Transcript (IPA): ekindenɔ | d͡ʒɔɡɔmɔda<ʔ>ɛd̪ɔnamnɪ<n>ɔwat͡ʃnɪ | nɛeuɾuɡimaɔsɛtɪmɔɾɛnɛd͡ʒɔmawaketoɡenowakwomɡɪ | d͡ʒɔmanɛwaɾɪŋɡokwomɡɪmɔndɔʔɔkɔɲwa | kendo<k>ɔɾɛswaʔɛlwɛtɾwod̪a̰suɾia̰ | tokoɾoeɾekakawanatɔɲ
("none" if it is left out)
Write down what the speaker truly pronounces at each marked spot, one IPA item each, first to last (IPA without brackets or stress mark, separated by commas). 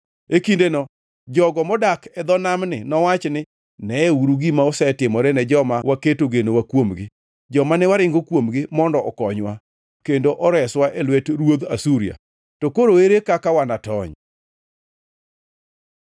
k, n, ʔ